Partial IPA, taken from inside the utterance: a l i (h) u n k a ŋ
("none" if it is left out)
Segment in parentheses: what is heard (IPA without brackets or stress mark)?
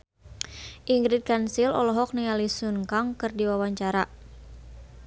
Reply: s